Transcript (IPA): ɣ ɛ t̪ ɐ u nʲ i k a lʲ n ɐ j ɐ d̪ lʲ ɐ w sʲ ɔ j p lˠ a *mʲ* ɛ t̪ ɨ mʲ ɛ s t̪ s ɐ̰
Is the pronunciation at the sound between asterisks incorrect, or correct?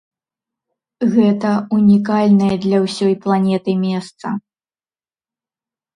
incorrect